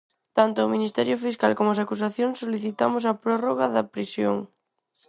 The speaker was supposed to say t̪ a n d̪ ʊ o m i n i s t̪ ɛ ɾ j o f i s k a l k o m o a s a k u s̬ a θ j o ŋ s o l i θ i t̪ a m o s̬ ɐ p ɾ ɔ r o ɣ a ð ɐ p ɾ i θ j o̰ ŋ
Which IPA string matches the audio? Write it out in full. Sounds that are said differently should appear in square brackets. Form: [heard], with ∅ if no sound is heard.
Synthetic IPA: t̪ a n [t̪] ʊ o m i n i s t̪ ɛ ɾ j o f i s k a l k o m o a s a k u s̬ a θ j o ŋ s o l i θ i t̪ a m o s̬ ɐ p ɾ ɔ r o ɣ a ð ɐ p ɾ i [s] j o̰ ŋ

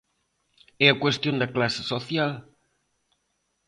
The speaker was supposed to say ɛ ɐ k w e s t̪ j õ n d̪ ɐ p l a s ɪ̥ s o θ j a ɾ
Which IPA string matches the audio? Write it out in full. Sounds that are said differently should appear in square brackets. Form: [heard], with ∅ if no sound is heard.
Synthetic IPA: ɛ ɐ k w e s t̪ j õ n d̪ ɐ [k] l a s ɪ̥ s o θ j a [l]

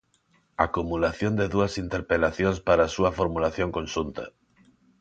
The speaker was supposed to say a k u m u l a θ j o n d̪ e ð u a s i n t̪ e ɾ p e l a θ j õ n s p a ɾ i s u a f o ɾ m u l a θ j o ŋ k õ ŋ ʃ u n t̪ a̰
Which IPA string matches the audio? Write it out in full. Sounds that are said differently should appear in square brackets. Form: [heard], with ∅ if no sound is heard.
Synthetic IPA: a k u m u l a θ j o n d̪ e ð u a s i n t̪ e ɾ p e l a θ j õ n s p a ɾ [a] s u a f o ɾ m u l a θ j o ŋ k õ [n] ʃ u n t̪ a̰

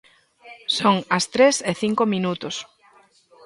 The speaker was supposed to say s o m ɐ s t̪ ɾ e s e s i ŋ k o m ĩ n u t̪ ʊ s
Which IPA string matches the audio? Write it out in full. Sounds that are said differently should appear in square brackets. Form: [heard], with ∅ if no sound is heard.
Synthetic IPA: s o [ŋ] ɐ s t̪ ɾ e s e [θ] i ŋ k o m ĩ n u t̪ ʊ s

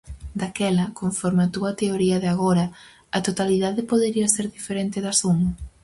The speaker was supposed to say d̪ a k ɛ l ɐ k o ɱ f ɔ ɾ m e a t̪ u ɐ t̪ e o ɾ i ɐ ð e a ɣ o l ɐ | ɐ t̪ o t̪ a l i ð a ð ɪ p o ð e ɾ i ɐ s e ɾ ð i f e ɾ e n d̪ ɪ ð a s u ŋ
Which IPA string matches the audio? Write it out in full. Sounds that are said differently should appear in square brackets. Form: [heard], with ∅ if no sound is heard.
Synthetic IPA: d̪ a k ɛ l ɐ k o ɱ f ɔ ɾ m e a t̪ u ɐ t̪ e o ɾ i ɐ ð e a ɣ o [ɾ] ɐ | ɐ t̪ o t̪ a l i ð a ð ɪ p o ð e ɾ i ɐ s e ɾ ð i f e ɾ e n [t̪] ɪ ð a s u ŋ

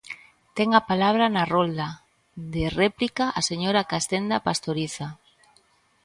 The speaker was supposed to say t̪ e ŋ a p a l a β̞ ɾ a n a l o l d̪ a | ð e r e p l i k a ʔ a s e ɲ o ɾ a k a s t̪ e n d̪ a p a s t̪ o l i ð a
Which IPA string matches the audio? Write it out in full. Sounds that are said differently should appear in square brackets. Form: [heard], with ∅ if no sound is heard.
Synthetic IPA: t̪ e ŋ a p a l a β̞ ɾ a n a [r] o l d̪ a | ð e r e p l i k a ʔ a s e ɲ o ɾ a k a s t̪ e n d̪ a p a s t̪ o [ɾ] i [θ] a

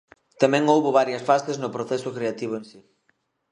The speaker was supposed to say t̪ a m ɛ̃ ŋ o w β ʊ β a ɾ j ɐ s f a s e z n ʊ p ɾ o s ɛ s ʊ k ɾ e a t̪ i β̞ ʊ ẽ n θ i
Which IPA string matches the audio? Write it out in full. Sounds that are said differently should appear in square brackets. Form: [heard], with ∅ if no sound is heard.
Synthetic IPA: t̪ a m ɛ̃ ŋ o w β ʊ β a ɾ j ɐ s f a s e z n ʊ p ɾ o [θ] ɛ s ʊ k ɾ e a t̪ i β̞ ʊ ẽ n [s] i

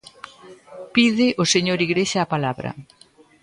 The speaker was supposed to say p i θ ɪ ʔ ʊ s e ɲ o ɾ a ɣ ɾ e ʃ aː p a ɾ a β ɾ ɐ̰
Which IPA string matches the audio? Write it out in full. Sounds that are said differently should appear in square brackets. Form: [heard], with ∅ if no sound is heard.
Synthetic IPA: p i [ð] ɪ ʔ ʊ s e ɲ o ɾ [i] ɣ ɾ e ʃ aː p a [l] a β ɾ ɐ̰

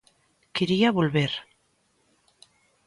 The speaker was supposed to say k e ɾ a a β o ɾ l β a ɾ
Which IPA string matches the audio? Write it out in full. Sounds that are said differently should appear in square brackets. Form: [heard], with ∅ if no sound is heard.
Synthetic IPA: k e ɾ [i] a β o [∅] l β [e] ɾ

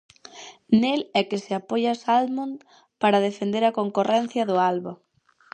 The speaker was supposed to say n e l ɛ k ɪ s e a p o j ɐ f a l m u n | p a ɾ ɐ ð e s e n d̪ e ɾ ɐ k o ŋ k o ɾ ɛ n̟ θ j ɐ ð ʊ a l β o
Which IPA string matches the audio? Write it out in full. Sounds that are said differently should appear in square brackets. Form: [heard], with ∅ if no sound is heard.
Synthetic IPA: n e l ɛ k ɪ s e a p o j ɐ [s] a l m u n | p a ɾ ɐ ð e [f] e n d̪ e ɾ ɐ k o ŋ k o [r] ɛ n̟ θ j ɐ ð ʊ a l β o

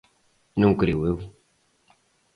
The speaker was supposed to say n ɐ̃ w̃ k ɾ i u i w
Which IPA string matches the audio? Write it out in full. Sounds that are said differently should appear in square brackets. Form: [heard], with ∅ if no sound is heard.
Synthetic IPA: n ɐ̃ w̃ k ɾ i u [e] w

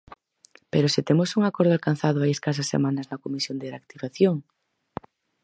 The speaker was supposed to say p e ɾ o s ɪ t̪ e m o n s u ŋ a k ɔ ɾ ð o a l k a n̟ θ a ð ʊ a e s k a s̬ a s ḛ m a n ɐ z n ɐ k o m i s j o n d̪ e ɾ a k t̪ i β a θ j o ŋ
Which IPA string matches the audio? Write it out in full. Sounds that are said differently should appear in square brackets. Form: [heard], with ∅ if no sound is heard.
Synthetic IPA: p e ɾ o s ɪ t̪ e m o [∅] s u ŋ a k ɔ ɾ ð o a l k a n̟ θ a ð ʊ a e s k a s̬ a s ḛ m a n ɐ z n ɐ k o m i s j o n d̪ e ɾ a k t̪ i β a θ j o ŋ

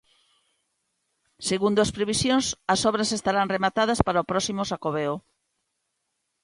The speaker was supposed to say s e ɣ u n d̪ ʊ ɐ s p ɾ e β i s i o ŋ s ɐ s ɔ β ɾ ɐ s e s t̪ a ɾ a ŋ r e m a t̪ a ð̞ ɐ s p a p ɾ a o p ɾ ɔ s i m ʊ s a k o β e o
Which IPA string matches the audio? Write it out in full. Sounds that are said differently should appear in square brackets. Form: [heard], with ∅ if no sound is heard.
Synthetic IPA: s e ɣ u n d̪ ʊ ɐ s p ɾ e β i s [j] o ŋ s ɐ s ɔ β ɾ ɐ s e s t̪ a ɾ a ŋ r e m a t̪ a ð̞ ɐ s p a [∅] ɾ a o p ɾ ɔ s i m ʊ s a k o β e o

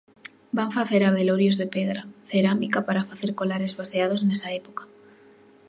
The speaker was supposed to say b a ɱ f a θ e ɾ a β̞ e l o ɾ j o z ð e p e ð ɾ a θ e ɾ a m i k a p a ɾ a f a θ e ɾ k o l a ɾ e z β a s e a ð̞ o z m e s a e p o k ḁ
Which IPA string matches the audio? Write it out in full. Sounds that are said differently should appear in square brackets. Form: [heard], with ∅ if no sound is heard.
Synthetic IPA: b a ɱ f a θ e ɾ a β̞ e l o ɾ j o z ð e p e ð ɾ a θ e ɾ a m i k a p a ɾ a f a θ e ɾ k o l a ɾ e z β a s e a ð̞ o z [n] e s a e p o k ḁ

